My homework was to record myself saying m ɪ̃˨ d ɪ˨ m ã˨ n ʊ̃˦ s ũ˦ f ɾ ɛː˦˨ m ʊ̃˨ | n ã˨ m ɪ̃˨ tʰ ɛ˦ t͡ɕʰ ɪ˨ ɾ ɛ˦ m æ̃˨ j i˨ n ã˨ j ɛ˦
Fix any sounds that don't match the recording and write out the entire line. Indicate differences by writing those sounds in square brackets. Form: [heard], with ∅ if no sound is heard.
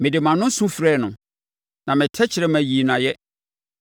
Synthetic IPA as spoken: m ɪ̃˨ d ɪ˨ m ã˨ n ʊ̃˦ s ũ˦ f ɾ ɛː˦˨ [n] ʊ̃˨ | n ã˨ m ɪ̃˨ tʰ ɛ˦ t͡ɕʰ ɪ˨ ɾ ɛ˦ m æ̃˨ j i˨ n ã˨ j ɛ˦